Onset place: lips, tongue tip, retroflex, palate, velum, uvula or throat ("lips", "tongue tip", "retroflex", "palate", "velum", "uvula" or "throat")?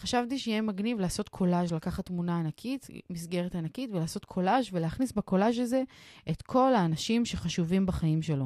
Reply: uvula